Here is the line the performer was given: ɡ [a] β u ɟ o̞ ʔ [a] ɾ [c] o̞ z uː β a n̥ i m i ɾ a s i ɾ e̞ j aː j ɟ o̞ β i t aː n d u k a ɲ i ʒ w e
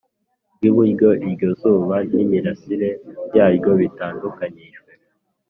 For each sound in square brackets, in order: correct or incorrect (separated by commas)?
incorrect, incorrect, incorrect